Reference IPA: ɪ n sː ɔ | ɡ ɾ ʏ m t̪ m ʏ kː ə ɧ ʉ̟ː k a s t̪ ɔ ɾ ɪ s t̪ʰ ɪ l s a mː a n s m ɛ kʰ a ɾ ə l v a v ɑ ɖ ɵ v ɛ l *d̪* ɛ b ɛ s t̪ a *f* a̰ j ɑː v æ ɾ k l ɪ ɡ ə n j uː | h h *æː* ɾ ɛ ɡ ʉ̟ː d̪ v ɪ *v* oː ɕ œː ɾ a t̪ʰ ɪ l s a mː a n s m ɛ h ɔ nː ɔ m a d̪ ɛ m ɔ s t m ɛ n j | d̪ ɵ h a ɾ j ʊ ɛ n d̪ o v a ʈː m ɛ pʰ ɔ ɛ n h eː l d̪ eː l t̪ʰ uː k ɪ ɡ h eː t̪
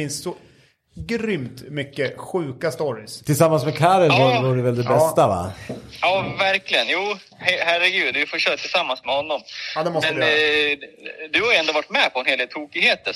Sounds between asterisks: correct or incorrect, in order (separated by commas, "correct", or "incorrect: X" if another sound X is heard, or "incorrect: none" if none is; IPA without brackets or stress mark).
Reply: correct, incorrect: v, incorrect: æ, incorrect: f